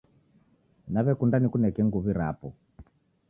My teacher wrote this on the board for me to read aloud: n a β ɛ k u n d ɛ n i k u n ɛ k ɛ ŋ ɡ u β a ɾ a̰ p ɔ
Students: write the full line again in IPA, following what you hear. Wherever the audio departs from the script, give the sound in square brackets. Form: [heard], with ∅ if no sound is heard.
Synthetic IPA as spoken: n a β ɛ k u n d [a] n i k u n ɛ k ɛ ŋ ɡ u β [i] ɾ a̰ p ɔ